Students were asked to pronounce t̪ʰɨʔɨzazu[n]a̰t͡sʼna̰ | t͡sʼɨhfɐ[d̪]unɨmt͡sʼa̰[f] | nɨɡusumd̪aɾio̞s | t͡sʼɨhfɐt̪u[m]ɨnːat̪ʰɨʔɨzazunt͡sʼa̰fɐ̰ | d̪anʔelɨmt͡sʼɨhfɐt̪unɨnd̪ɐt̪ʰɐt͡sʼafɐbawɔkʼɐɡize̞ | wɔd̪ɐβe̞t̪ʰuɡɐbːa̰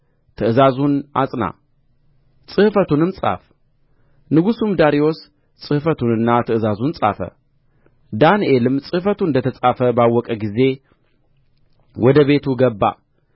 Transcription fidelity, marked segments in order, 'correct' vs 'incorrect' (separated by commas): correct, incorrect, correct, incorrect